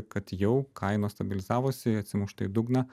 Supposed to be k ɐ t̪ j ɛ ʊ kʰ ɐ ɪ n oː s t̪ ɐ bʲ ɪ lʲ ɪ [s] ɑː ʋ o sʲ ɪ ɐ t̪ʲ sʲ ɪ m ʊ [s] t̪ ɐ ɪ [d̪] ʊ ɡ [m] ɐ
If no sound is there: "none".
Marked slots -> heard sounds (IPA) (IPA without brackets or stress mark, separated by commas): z, ʃ, d̪, n